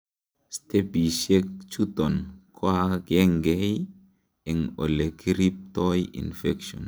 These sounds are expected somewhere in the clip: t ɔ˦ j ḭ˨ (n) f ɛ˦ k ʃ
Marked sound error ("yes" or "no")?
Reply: no